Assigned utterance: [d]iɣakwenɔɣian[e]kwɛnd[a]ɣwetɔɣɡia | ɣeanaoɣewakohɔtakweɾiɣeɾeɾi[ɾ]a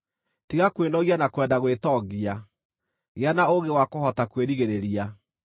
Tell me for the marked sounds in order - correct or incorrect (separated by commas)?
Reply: incorrect, incorrect, correct, incorrect